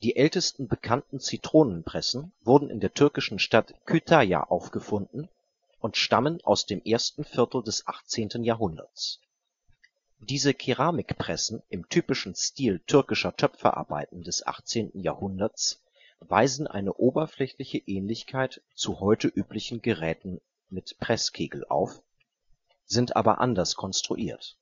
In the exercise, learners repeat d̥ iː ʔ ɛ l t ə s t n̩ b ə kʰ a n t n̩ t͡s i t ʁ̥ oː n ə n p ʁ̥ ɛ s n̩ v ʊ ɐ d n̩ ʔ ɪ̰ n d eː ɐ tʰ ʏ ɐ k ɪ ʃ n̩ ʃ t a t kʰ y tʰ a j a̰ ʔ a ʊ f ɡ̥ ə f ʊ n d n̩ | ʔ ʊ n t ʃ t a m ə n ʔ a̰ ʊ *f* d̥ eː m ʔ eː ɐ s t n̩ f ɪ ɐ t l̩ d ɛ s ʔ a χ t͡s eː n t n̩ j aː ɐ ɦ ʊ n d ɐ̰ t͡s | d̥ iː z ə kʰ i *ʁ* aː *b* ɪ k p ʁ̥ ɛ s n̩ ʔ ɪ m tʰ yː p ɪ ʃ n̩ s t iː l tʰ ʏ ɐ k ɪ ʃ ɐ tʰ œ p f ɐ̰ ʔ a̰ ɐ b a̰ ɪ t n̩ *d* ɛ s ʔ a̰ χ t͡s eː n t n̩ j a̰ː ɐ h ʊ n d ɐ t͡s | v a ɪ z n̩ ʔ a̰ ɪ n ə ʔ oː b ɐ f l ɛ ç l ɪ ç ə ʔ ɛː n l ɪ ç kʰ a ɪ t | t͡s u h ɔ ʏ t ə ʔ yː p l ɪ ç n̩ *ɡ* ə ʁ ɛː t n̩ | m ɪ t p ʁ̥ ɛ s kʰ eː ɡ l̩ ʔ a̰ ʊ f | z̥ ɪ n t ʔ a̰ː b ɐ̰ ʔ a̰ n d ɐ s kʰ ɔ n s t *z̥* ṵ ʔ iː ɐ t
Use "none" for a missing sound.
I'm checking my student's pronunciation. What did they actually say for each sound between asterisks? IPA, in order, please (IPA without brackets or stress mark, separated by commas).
s, ʁ, m, d, ɡ, ʁ̥